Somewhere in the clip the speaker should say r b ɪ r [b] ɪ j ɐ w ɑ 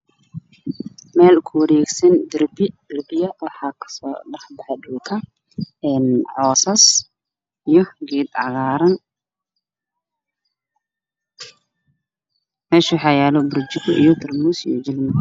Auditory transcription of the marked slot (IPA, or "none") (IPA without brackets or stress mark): b